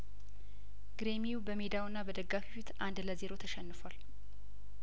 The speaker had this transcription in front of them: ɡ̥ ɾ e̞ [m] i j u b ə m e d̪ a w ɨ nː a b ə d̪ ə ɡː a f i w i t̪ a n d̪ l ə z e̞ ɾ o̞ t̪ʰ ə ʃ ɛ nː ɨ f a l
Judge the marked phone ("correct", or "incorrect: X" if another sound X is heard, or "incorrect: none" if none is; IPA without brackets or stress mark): correct